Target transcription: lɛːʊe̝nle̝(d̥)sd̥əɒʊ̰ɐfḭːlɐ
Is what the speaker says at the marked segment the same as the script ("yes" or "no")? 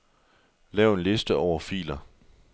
no